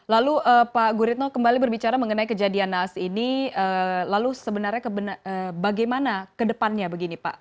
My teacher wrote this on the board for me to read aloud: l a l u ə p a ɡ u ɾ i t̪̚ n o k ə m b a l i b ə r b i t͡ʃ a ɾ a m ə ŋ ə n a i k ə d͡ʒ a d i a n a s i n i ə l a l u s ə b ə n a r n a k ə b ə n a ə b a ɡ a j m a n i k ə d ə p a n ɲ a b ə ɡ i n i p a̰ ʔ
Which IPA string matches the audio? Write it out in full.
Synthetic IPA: l a l u ə p a ɡ u ɾ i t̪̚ n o k ə m b a l i b ə r b i t͡ʃ a ɾ a m ə ŋ ə n a i k ə d͡ʒ a d i a n a s i n i ə l a l u s ə b ə n a r ɲ a k ə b ə n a ə b a ɡ a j m a n a k ə d ə p a n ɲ a b ə ɡ i n i p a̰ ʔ